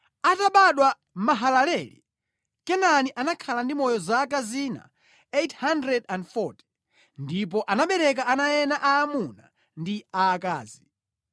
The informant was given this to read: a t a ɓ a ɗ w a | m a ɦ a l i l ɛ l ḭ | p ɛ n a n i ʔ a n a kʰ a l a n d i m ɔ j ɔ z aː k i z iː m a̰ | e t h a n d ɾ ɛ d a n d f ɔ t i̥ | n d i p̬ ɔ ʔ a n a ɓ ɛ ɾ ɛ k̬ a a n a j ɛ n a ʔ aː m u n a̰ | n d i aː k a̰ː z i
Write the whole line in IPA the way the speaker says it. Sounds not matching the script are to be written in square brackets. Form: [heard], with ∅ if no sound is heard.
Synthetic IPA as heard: a t a ɓ a ɗ w a | m a ɦ a l [a] l ɛ l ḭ | [k] ɛ n a n i ʔ a n a kʰ a l a n d i m ɔ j ɔ z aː k [a] z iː [n] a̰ | e t h a n d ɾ ɛ d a n d f ɔ t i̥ | n d i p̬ ɔ ʔ a n a ɓ ɛ ɾ ɛ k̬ a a n a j ɛ n a ʔ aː m u n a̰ | n d i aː k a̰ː z i